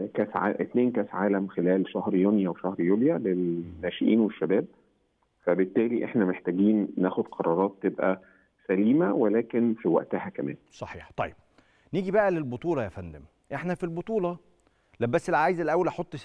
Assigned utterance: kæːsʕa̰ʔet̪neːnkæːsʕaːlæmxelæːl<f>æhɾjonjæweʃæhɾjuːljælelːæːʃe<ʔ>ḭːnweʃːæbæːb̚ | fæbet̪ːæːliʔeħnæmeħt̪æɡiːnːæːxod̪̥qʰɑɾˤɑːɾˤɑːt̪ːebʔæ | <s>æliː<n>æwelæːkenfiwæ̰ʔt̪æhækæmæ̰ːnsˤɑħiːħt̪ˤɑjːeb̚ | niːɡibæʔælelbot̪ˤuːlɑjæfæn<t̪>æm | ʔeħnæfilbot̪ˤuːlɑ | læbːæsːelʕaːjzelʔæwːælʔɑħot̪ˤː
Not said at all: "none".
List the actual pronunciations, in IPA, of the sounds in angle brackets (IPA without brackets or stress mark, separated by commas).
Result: ʃ, ʔ, s, m, d̪